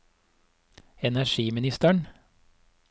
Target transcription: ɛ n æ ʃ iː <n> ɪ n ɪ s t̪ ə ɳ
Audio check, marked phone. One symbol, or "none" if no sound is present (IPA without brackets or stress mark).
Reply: m